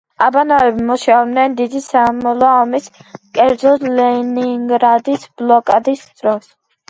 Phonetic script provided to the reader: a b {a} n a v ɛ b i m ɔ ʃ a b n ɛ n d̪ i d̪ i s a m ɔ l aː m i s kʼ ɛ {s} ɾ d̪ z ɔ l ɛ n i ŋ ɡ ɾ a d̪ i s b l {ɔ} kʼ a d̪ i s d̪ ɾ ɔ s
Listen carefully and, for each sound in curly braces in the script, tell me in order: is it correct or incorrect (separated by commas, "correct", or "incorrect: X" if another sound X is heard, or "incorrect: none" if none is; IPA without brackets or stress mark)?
correct, incorrect: none, correct